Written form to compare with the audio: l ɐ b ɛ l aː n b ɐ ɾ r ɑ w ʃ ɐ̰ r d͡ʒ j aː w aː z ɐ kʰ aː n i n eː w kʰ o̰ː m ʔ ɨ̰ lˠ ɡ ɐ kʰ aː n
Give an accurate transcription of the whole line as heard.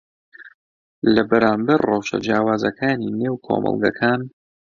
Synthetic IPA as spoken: l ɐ b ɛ ɾ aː m b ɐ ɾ r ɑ w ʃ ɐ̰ d͡ʒ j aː w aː z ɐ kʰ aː n i n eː w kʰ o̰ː m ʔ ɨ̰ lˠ ɡ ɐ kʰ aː n